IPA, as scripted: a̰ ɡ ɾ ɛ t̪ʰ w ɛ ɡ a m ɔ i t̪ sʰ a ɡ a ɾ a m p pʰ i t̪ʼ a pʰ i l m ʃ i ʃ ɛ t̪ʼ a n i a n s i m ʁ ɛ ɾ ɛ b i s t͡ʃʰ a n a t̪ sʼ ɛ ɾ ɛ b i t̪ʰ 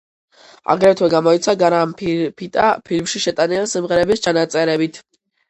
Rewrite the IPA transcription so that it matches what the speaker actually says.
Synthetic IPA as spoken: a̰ ɡ ɾ ɛ t̪ʰ w ɛ ɡ a m ɔ i t̪ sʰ a ɡ a ɾ a m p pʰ i t̪ʼ a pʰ i l m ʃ i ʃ ɛ t̪ʼ a n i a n s i m ʁ ɛ ɾ ɛ b i s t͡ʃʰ a n a t̪ sʼ ɛ ɾ ɛ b i t̪ʰ